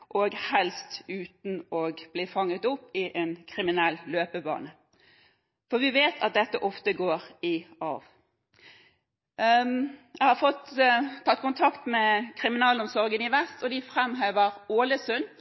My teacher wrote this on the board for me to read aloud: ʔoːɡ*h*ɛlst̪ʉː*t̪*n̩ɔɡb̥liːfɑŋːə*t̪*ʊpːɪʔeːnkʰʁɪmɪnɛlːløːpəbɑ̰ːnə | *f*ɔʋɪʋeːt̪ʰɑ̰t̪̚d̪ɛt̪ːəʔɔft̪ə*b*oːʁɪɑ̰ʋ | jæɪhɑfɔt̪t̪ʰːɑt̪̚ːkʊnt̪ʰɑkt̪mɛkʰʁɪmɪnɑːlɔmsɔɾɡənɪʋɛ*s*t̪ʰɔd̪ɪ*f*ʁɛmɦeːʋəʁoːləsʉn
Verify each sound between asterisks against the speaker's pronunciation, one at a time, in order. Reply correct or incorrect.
correct, correct, correct, correct, incorrect: ɡ, correct, correct

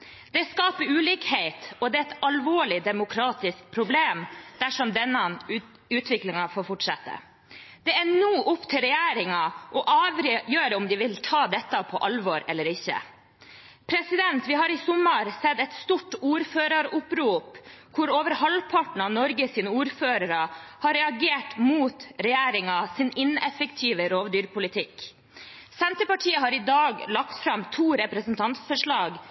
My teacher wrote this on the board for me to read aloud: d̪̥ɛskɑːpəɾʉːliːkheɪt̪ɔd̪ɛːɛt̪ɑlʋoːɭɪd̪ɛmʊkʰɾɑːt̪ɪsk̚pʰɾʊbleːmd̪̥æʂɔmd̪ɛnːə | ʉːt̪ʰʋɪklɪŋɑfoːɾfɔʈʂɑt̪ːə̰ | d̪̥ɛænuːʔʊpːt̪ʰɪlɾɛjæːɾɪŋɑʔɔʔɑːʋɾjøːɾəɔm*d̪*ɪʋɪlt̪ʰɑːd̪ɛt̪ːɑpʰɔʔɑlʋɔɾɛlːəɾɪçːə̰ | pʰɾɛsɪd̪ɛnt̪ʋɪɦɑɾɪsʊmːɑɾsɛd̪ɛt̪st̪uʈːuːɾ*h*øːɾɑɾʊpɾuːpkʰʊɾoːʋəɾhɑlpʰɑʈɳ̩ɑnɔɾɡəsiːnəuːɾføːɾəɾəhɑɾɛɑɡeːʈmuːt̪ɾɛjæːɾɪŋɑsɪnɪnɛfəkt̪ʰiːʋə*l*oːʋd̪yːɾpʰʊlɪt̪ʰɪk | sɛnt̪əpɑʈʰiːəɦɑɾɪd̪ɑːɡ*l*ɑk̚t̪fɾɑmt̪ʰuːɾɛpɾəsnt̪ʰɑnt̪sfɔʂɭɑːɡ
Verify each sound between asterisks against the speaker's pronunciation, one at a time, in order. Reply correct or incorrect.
correct, incorrect: f, incorrect: ɾ, correct

